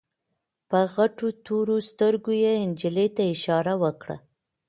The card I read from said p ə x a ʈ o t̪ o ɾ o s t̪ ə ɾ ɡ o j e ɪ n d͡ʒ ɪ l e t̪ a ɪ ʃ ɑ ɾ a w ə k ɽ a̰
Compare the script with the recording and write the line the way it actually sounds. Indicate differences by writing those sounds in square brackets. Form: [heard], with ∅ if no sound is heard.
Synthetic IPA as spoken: p ə [ɣ] a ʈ o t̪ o ɾ o s t̪ ə ɾ ɡ o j e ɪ n d͡ʒ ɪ l e t̪ a ɪ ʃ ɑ ɾ a w ə k ɽ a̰